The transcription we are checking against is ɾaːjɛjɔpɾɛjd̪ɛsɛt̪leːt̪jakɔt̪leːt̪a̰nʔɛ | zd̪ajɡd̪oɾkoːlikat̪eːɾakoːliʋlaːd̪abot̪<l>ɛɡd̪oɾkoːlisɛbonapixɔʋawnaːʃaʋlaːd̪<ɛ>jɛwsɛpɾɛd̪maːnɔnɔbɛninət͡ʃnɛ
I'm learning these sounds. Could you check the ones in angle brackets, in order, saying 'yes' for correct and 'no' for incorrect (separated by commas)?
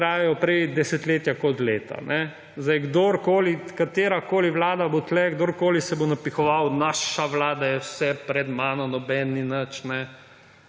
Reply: yes, no